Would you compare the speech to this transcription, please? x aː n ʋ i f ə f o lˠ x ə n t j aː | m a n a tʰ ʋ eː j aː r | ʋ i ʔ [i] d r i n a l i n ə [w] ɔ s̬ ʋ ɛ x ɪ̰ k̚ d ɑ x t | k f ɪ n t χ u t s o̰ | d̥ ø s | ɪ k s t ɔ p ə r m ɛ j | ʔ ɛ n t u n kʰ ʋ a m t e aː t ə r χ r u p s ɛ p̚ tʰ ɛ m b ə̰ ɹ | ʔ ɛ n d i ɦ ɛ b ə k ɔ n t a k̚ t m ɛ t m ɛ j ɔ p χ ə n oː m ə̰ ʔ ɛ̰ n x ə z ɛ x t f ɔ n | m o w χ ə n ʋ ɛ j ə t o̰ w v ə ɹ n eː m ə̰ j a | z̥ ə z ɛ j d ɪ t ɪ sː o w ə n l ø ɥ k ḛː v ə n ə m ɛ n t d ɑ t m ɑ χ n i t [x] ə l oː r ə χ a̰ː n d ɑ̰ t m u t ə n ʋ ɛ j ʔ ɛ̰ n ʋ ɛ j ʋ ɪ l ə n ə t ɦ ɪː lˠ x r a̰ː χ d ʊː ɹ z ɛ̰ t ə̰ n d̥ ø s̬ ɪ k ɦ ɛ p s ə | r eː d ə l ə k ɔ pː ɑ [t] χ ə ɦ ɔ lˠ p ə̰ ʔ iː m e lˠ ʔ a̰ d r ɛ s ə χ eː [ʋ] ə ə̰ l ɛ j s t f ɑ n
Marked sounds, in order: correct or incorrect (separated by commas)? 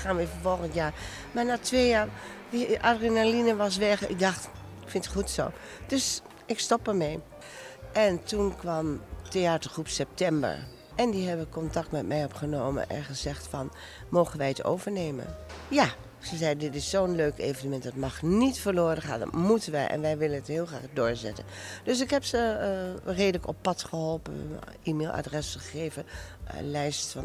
incorrect, incorrect, incorrect, correct, incorrect